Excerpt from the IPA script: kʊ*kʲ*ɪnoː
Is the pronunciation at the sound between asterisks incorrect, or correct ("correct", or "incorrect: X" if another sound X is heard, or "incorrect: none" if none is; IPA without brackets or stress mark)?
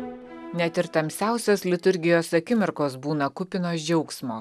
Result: incorrect: pʲ